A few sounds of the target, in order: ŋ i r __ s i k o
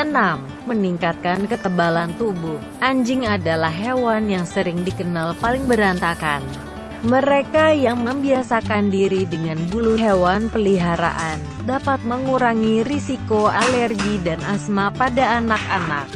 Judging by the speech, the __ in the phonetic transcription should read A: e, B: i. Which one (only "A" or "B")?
B